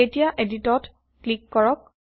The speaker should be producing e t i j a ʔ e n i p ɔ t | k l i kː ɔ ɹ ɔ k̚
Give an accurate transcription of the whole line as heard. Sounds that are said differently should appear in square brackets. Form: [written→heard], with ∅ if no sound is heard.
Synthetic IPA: e t i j a ʔ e [n→d] i [p→t] ɔ t | k l i kː ɔ ɹ ɔ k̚